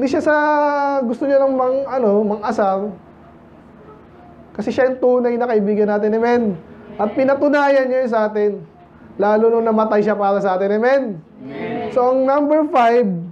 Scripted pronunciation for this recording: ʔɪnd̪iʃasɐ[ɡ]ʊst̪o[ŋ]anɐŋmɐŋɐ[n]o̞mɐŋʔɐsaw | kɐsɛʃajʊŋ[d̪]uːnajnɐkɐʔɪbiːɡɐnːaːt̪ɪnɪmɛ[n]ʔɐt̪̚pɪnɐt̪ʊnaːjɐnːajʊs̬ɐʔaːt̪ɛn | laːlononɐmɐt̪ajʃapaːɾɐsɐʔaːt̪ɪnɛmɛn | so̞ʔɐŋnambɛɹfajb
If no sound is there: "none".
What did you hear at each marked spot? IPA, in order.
ɡ, ɲ, n, t̪, n

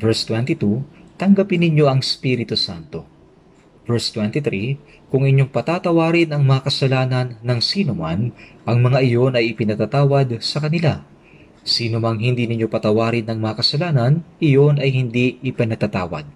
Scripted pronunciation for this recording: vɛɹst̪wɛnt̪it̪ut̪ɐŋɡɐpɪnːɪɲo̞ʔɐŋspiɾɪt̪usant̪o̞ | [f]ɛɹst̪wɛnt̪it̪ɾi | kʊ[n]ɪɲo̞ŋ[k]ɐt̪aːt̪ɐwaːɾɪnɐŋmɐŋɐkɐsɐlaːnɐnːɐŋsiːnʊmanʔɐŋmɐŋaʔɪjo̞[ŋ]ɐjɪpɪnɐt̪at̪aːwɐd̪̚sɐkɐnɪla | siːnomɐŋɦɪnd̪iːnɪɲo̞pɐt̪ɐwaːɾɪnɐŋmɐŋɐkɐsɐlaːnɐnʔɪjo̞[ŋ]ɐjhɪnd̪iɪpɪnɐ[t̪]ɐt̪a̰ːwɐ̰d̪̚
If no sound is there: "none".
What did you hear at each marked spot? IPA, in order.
v, ŋ, p, n, n, t̪

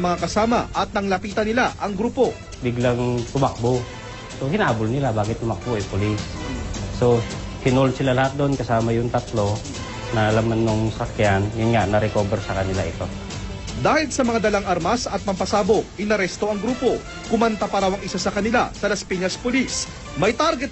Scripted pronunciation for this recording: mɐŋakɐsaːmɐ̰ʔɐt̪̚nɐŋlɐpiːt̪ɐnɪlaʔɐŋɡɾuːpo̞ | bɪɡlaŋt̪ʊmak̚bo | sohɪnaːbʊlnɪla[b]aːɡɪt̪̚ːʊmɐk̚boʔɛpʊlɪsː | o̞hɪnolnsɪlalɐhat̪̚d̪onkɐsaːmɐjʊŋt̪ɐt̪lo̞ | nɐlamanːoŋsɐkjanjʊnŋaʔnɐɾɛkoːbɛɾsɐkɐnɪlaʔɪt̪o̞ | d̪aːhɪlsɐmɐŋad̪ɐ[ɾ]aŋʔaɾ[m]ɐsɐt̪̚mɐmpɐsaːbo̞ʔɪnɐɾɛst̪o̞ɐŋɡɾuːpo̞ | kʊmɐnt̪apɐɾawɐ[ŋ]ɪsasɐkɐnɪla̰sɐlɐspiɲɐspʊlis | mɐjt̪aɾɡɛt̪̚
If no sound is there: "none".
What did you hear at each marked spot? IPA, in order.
b, l, m, ŋ

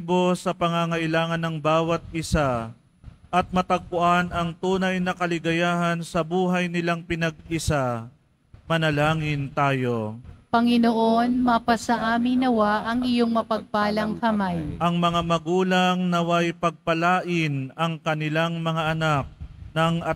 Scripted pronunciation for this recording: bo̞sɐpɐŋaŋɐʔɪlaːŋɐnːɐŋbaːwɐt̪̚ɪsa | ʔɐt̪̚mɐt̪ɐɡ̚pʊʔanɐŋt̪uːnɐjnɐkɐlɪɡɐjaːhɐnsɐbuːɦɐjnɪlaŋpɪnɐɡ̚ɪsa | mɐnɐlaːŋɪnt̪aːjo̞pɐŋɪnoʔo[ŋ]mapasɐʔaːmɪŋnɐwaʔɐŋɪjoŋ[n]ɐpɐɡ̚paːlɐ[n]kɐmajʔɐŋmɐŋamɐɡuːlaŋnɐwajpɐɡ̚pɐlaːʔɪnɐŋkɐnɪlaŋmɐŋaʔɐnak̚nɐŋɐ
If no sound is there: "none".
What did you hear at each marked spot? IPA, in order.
n, m, ŋ

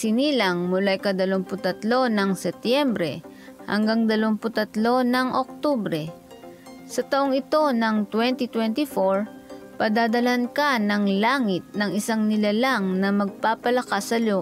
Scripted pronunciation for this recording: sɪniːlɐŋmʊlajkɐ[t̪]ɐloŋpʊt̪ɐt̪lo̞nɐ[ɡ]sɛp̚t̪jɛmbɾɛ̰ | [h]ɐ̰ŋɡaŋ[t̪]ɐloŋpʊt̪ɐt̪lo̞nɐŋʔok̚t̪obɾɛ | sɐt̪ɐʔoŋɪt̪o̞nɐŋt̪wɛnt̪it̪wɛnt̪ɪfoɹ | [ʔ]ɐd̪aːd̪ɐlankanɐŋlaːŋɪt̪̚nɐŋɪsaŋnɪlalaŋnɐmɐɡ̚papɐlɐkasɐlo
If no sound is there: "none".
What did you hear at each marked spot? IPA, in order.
d̪, ŋ, h, d̪, p

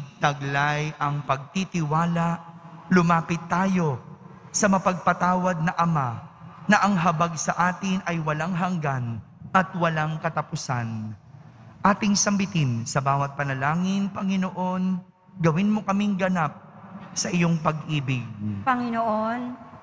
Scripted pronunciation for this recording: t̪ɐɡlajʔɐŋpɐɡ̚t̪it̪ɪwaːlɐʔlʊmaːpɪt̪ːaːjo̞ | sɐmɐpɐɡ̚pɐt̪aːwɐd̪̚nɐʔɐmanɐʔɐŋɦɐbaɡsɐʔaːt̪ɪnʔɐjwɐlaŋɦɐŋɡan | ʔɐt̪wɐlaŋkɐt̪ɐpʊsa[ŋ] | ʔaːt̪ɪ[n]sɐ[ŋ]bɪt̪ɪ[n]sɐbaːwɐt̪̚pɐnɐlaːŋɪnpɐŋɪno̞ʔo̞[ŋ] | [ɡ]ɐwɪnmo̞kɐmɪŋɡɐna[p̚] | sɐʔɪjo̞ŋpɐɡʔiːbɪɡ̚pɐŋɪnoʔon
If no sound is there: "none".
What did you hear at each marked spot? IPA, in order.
n, ŋ, m, n, n, ɡ, p̚

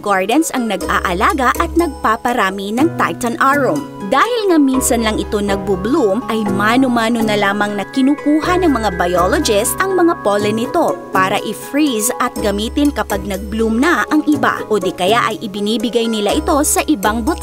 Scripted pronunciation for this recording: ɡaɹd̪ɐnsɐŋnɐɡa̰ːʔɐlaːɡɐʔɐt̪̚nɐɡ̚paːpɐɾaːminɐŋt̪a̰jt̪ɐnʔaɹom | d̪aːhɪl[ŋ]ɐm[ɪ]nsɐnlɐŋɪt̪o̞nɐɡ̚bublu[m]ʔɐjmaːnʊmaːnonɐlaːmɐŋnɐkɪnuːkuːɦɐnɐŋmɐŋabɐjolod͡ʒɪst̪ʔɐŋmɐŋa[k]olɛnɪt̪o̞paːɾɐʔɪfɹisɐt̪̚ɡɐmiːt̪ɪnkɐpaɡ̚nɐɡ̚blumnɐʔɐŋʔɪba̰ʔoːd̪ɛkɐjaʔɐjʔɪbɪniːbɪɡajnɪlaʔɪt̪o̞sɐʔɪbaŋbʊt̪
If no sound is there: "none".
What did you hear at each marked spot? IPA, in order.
ŋ, i, m, p

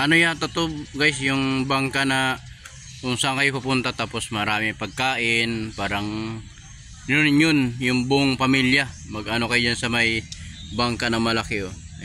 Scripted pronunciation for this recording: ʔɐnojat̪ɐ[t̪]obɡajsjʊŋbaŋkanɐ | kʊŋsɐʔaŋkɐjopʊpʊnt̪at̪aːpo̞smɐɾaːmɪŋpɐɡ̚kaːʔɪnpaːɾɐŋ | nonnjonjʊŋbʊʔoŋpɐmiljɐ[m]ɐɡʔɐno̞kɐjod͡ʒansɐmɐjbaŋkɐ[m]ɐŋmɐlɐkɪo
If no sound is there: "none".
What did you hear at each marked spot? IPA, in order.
t̪, m, n

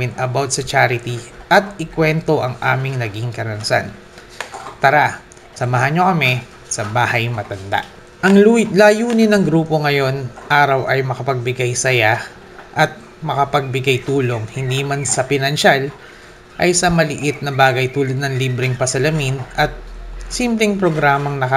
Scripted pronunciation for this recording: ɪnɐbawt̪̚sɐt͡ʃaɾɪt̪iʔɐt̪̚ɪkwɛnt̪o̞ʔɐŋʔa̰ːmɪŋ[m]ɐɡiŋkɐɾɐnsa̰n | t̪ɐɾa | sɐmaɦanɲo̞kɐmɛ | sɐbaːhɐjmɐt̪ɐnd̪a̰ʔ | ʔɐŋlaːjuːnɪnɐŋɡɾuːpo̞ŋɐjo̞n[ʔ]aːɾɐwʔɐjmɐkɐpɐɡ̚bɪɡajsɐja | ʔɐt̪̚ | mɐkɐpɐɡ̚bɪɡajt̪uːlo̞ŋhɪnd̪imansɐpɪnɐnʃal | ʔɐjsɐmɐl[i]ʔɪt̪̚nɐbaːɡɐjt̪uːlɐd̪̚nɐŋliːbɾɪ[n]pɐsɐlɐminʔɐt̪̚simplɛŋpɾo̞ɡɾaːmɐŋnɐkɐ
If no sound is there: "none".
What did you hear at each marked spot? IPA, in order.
n, ʔ, ɪ, ŋ

